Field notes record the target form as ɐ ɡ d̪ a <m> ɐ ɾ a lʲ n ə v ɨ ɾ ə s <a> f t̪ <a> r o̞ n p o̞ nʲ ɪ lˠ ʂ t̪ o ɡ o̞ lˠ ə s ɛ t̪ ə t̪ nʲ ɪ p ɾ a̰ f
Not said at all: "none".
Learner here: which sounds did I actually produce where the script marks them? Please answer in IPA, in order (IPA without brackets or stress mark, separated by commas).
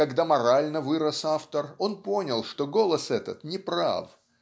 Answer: m, a, ə